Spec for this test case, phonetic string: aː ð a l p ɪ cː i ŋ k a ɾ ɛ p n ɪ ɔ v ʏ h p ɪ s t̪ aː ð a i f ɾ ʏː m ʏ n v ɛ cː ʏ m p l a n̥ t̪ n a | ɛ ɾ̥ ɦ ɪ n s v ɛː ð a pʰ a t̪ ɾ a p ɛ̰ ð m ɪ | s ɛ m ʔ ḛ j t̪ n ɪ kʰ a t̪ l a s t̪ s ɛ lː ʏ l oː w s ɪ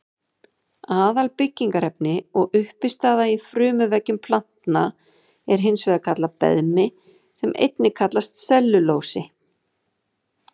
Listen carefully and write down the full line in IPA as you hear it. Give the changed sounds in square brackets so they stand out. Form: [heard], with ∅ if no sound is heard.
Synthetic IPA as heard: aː ð a l p ɪ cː i ŋ k a ɾ ɛ p n ɪ ɔ [ɣ] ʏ h p ɪ s t̪ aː ð a i f ɾ ʏː m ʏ [∅] v ɛ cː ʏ m [pʰ] l a n̥ t̪ n a | ɛ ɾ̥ ɦ ɪ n s v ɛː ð a [kʰ] a t̪ [l] a p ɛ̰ ð m ɪ | s ɛ m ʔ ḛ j t̪ n ɪ kʰ a t̪ l a s t̪ s ɛ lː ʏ l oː w s ɪ

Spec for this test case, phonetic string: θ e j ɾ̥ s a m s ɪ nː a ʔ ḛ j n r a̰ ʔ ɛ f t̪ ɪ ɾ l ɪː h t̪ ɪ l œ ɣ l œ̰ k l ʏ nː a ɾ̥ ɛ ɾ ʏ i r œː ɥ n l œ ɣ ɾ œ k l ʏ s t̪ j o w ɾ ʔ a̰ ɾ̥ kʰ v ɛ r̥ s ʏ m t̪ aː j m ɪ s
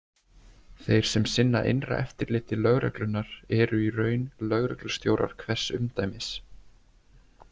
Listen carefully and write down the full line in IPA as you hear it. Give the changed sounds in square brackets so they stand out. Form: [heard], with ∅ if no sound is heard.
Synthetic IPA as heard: θ e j ɾ̥ s [ɛ] m s ɪ nː a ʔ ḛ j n r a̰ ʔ ɛ f t̪ ɪ ɾ l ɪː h t̪ ɪ l œ ɣ [ɾ] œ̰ k l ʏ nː a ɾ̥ ɛ ɾ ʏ i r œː ɥ n l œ ɣ ɾ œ k l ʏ s t̪ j o w ɾ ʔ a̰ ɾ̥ kʰ v ɛ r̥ s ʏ m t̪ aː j m ɪ s

